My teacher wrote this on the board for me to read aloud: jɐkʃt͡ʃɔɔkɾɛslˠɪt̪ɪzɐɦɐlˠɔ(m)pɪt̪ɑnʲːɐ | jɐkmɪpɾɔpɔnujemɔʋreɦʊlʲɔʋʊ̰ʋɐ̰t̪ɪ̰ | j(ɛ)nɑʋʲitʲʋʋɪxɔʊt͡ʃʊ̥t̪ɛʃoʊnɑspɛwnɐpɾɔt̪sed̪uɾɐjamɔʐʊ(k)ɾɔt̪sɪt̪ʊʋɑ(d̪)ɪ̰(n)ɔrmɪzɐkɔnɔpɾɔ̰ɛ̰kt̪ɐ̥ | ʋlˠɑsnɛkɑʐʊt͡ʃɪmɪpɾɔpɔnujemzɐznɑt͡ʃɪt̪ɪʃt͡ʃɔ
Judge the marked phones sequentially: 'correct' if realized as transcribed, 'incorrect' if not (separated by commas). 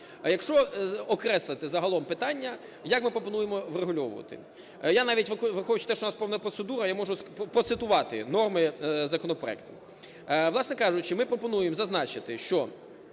correct, incorrect, incorrect, incorrect, correct